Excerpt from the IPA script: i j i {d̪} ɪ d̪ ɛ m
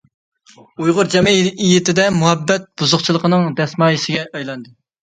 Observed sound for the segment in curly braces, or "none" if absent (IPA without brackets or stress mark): t̪